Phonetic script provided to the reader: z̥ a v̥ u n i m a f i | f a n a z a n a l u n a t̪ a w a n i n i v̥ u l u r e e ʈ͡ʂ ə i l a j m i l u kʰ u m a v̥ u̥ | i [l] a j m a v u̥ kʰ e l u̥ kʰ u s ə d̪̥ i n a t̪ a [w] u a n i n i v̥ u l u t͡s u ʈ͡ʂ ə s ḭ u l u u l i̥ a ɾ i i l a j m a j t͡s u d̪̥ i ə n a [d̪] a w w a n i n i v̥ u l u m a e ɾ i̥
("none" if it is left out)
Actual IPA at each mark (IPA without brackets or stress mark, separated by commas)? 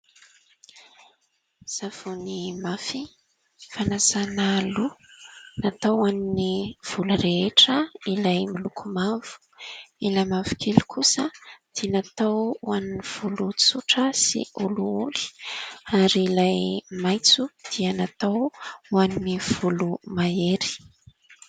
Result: l, w, t̪